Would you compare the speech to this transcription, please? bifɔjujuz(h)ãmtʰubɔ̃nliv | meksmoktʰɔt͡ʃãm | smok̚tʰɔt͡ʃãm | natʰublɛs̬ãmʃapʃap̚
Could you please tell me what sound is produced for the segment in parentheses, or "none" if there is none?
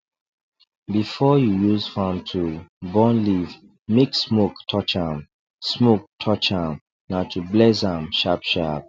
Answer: f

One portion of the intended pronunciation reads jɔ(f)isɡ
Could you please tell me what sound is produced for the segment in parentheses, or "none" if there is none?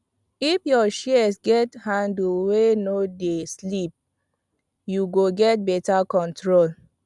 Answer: ʃ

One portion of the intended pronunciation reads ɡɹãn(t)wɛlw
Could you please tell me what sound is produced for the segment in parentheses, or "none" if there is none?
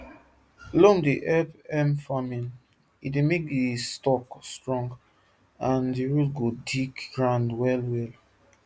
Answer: d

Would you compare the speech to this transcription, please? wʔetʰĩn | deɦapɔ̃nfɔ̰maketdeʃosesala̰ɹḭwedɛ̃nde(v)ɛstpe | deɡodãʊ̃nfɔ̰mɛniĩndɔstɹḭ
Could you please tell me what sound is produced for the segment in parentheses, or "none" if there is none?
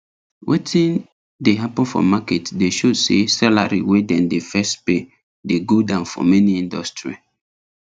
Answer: f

